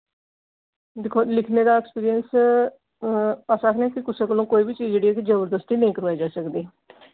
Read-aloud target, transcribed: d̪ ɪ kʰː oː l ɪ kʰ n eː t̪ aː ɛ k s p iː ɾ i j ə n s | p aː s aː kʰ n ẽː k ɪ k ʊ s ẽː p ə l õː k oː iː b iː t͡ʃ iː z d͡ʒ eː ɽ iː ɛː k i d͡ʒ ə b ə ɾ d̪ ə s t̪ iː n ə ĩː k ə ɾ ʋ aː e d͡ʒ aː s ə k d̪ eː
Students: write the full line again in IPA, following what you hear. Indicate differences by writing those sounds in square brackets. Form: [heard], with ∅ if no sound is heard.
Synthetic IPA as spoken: d̪ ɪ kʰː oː l ɪ kʰ n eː [d̪] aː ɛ k s p iː ɾ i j ə n s | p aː s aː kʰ n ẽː k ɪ k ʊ s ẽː [k] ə l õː k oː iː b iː t͡ʃ iː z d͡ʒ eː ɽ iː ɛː k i d͡ʒ ə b ə ɾ d̪ ə s t̪ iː n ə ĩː k ə ɾ ʋ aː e d͡ʒ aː s ə k d̪ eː